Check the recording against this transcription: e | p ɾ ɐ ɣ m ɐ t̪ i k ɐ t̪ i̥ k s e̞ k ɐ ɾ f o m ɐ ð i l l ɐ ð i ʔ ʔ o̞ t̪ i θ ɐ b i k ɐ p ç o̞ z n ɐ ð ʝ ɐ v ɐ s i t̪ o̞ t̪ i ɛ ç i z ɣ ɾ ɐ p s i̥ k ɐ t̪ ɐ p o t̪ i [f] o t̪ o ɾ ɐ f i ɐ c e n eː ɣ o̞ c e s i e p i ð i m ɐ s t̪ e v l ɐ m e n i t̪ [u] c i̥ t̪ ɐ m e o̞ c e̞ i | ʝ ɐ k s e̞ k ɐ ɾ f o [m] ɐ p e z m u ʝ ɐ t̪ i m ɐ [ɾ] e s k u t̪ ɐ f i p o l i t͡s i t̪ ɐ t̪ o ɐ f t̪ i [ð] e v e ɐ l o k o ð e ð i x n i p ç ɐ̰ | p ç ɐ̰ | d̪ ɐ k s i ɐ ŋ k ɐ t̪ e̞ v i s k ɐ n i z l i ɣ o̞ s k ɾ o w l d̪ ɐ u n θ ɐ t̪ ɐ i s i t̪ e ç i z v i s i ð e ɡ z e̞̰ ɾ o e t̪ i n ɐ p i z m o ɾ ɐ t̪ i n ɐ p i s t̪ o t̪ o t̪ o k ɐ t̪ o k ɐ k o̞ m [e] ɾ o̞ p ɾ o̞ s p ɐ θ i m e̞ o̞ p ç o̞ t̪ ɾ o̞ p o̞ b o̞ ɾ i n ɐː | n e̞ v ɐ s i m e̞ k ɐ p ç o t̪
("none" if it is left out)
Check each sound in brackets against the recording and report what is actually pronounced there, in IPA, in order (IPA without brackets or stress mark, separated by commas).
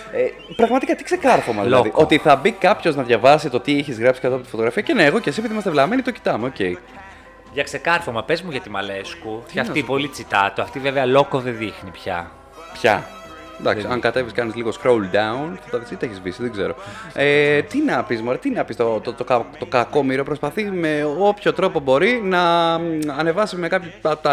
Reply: f, o, m, l, v, i